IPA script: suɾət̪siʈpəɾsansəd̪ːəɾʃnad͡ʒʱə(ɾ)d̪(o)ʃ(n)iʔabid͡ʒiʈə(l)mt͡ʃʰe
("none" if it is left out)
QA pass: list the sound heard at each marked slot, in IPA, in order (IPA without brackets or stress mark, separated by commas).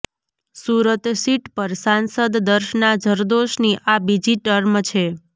ɾ, o, n, ɾ